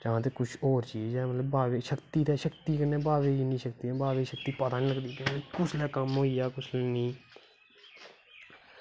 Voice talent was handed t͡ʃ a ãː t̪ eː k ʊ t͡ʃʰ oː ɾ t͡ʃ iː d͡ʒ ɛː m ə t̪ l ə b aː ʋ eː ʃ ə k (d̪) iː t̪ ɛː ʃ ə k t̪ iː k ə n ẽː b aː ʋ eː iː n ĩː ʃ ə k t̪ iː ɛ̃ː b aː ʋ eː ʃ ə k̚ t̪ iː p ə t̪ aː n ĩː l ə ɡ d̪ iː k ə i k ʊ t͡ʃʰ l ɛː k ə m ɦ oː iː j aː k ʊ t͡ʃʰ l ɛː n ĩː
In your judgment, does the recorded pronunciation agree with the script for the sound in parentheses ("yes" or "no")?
no